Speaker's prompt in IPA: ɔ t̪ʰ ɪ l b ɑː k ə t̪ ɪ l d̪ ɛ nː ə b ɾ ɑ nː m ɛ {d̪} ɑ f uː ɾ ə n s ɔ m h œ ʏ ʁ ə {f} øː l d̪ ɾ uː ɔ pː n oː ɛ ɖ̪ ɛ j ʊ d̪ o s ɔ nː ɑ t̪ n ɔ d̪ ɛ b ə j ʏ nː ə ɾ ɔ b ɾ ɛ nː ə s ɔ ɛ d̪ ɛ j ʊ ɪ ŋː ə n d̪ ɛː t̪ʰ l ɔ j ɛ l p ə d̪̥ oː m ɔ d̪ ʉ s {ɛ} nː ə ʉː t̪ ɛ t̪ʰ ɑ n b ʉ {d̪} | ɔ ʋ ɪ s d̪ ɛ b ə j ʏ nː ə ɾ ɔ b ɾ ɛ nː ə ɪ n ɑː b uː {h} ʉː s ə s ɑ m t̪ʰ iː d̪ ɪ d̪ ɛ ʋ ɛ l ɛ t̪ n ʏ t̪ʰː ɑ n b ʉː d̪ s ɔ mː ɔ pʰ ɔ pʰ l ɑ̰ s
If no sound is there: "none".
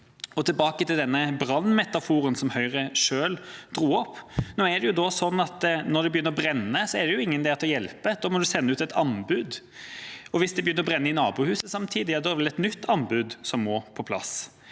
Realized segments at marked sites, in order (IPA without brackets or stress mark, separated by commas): t̪, ʂ, ɛ, d̪, h